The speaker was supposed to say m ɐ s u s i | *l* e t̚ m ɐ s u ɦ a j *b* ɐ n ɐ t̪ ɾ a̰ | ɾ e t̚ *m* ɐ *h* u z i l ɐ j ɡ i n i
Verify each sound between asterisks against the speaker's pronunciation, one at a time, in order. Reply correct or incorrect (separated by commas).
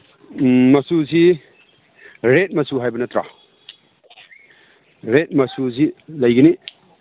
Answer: incorrect, correct, correct, incorrect